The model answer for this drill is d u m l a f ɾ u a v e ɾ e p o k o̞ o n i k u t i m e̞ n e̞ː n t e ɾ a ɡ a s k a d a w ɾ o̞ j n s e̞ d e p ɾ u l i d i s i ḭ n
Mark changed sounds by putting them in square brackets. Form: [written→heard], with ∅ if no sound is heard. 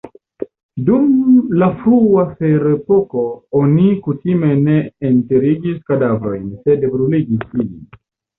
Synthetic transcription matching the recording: d u m l a f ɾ u a [v→f] e ɾ e p o k o̞ o n i k u t i m e̞ n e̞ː n t e ɾ [a→i] ɡ [a→i] s k a d a [w→v] ɾ o̞ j n s e̞ d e [p→b] ɾ u l i [d→ɡ] i s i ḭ n